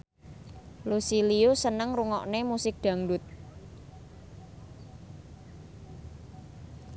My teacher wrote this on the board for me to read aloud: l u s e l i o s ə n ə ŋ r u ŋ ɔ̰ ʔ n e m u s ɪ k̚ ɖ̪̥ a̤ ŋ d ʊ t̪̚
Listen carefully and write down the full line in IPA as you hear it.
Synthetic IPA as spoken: l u s i l i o s ə n ə ŋ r u ŋ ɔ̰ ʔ n e m u s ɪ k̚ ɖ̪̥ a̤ ŋ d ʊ t̪̚